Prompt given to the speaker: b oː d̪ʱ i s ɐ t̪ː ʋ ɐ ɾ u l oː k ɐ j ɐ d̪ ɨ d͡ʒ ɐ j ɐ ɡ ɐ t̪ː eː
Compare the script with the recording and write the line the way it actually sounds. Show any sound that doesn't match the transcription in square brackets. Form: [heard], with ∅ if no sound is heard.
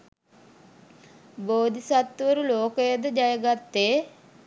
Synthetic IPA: b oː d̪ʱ i s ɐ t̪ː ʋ ɐ ɾ u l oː k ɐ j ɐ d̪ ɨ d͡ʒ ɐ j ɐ ɡ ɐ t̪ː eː

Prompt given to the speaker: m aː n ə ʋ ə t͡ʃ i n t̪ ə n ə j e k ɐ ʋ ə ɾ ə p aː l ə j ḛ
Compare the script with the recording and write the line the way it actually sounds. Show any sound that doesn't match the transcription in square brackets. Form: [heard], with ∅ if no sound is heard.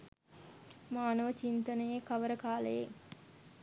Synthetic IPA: m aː n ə ʋ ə t͡ʃ i n t̪ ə n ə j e k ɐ ʋ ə ɾ ə [k] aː l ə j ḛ

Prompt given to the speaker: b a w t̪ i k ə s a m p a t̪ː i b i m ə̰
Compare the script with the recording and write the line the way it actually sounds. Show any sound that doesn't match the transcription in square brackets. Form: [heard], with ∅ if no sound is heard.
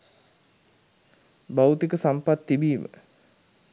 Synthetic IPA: b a w t̪ i k ə s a m p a t̪ː i b [iː] m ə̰

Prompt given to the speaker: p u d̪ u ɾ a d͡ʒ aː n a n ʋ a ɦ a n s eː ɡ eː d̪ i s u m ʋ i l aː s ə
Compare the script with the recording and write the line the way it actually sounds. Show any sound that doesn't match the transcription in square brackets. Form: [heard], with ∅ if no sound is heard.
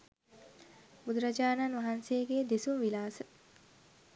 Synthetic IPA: [b] u d̪ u ɾ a d͡ʒ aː n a n ʋ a ɦ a n s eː ɡ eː d̪ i s u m ʋ i l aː s ə

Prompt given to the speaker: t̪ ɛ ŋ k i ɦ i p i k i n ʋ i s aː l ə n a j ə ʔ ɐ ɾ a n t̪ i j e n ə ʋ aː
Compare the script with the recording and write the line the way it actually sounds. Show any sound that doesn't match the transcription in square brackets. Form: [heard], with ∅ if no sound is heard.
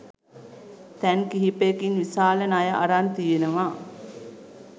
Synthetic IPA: t̪ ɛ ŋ k i ɦ i p [e] k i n ʋ i s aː l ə n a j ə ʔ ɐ ɾ a n t̪ i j e n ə ʋ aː

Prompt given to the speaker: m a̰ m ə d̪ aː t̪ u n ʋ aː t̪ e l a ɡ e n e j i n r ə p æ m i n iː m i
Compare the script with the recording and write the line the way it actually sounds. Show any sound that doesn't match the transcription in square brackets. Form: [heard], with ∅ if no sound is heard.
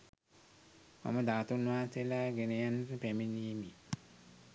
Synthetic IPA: m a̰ m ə d̪ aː t̪ u n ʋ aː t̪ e l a ɡ e n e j [a] n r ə p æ m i n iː m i

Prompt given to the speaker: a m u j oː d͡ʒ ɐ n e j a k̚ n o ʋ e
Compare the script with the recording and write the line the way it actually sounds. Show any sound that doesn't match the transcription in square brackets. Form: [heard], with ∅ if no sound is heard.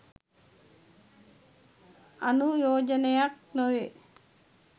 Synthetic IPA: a [n] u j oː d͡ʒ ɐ n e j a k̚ n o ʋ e

